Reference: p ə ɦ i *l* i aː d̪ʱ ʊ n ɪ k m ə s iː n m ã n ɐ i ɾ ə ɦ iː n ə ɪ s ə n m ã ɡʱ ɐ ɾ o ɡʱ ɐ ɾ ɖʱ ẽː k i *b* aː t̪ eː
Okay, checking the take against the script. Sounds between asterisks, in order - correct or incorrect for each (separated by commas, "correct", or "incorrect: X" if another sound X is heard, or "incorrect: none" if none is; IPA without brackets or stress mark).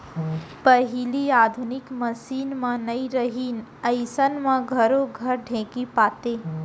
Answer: correct, incorrect: p